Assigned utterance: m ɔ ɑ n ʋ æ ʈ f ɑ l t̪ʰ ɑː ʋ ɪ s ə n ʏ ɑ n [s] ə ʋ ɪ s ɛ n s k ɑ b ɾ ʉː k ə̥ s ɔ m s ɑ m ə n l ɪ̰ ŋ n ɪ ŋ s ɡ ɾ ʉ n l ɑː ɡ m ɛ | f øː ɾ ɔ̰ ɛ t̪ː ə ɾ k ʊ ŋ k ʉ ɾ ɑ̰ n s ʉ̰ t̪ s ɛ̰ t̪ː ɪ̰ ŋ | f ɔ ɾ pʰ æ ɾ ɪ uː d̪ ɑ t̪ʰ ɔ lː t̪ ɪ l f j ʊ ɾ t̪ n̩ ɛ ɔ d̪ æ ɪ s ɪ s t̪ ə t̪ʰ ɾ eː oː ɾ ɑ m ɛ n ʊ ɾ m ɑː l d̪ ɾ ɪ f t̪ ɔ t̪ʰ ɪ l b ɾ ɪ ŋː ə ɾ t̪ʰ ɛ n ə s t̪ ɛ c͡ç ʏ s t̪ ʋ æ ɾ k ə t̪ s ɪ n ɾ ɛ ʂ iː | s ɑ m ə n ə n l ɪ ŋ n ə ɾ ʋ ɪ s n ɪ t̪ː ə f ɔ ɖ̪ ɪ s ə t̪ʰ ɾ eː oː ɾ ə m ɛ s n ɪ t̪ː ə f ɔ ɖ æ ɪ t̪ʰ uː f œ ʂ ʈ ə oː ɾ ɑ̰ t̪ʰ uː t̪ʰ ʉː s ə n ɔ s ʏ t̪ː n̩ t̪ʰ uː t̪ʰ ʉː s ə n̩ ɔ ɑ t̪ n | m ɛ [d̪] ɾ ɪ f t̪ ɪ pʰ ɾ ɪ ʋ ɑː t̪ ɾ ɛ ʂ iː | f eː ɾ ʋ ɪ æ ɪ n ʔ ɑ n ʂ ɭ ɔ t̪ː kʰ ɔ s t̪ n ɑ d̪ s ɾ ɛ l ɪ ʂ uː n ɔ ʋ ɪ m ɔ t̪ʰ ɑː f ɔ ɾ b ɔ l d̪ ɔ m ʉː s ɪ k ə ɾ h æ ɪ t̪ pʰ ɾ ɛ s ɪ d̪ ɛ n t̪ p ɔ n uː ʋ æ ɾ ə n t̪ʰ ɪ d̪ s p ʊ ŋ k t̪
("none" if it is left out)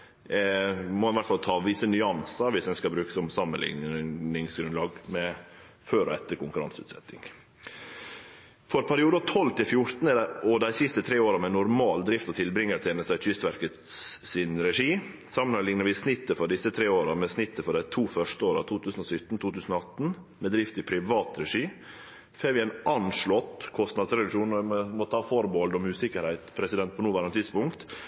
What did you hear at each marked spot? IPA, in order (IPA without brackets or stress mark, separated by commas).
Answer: s, d̪